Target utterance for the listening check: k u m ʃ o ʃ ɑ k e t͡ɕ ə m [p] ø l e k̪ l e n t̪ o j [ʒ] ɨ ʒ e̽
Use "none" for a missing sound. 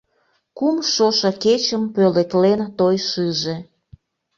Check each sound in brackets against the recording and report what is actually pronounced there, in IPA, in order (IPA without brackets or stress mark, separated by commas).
p, ʃ